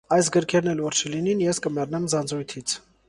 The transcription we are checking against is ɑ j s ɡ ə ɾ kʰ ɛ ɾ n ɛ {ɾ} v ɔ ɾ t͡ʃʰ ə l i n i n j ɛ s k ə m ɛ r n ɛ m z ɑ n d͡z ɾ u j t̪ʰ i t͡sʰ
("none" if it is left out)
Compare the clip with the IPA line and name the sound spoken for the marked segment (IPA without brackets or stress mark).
l